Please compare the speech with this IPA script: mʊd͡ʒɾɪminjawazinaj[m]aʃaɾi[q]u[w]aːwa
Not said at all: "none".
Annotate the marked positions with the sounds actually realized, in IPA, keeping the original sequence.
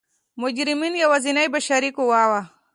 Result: b, k, w

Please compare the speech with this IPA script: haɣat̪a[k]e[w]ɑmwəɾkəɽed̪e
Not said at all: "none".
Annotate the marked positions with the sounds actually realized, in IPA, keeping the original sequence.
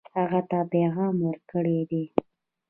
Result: p, ɣ

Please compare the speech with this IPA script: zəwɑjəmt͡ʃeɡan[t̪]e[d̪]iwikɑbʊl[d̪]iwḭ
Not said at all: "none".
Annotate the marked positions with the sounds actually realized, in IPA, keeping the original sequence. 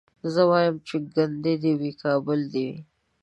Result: d̪, d̪, d̪

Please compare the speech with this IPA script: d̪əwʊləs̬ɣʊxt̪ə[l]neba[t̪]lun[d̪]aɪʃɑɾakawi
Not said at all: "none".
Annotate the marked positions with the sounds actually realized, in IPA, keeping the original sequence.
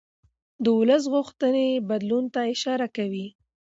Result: none, d̪, t̪

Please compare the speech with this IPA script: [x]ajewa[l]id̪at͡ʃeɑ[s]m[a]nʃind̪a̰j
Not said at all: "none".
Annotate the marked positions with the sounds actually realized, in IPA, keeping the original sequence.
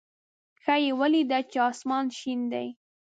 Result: x, l, s, ɑ

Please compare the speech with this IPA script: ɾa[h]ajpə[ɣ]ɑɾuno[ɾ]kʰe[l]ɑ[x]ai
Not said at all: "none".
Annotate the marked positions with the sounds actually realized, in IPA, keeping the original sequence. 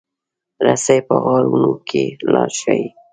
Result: s, ɣ, none, l, ʃ

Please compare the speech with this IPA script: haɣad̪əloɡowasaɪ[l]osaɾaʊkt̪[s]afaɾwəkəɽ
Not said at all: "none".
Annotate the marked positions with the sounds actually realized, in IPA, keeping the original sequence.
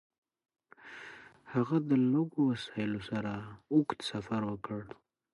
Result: l, s

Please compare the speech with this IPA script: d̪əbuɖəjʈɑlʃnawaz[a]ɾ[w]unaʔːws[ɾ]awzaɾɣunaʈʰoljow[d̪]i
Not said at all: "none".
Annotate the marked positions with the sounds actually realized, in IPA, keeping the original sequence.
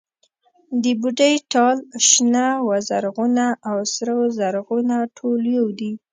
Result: a, ɣ, ɾ, d̪

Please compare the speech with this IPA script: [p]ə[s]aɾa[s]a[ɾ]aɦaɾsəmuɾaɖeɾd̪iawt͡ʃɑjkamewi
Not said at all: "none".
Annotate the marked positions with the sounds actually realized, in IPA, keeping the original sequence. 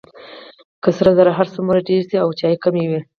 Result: k, s, z, ɾ

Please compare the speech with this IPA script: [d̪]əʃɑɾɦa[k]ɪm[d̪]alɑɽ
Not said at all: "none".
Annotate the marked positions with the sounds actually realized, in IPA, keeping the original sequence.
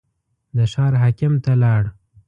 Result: d̪, k, t̪

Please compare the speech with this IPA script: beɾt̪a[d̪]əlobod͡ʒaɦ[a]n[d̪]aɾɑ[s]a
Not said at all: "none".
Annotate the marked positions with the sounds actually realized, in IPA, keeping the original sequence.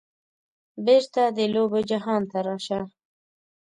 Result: d̪, ɑ, t̪, ʃ

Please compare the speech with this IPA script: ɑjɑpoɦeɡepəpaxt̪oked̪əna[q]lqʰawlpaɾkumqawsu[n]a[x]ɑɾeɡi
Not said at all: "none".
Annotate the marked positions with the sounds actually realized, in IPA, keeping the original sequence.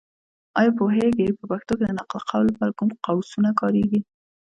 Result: q, n, k

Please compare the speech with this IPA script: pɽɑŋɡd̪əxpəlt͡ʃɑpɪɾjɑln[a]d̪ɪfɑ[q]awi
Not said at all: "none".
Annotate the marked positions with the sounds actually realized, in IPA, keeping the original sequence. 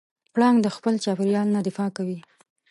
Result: a, k

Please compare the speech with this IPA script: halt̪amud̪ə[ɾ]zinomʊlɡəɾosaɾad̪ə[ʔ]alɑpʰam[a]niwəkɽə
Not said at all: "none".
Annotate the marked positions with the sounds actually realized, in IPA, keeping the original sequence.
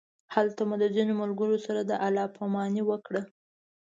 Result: none, ʔ, ɑ

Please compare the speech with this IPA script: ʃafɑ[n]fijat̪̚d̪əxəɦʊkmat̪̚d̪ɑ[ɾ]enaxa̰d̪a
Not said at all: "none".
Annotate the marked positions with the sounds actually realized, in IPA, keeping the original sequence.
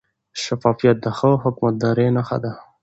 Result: none, ɾ

